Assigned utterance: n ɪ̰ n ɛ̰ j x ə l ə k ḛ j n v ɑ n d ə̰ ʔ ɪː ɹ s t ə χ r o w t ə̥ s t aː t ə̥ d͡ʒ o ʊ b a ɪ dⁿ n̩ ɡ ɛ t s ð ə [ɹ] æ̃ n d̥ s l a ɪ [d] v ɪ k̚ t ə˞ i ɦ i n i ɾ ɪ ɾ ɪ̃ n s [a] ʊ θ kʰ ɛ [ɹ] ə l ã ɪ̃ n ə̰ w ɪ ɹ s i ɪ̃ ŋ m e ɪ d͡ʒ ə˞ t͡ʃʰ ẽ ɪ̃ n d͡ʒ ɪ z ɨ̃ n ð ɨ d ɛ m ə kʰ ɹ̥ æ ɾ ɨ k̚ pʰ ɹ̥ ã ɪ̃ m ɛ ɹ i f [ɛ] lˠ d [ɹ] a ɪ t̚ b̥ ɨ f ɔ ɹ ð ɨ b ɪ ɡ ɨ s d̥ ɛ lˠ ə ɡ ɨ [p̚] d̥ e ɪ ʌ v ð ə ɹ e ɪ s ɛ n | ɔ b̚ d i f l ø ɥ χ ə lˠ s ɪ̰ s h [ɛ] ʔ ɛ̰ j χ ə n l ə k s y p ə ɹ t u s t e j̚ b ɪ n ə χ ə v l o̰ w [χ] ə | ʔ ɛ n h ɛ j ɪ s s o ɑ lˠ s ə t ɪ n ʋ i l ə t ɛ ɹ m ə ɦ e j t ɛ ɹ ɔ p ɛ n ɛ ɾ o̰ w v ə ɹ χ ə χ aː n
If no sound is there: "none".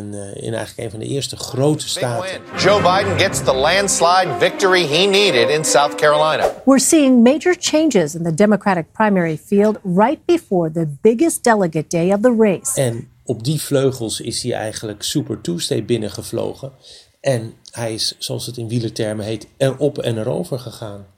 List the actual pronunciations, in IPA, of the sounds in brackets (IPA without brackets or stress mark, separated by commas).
l, d, a, ɹ, i, ɹ, t̚, i, χ